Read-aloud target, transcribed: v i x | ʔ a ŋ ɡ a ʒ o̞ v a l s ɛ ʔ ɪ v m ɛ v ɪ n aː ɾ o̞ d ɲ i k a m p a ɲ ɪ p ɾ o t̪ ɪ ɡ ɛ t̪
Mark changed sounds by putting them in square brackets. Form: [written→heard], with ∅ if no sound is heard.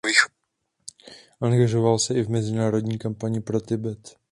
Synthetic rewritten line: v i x | ʔ a ŋ ɡ a ʒ o̞ v a l s ɛ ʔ ɪ v m ɛ [v→z] ɪ n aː ɾ o̞ d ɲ [i→iː] k a m p a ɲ ɪ p ɾ o t̪ ɪ [ɡ→b] ɛ t̪